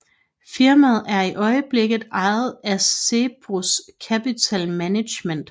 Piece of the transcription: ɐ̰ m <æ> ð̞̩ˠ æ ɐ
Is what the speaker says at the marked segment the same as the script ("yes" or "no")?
yes